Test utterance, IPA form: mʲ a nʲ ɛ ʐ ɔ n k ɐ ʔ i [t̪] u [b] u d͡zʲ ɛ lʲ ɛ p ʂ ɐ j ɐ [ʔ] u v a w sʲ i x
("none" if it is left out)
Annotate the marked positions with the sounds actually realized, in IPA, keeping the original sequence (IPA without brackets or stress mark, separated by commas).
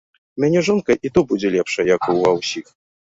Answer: t̪, b, k